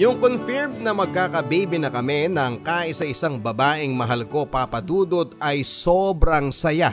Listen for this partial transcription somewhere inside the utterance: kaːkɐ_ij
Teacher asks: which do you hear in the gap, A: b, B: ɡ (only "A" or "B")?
A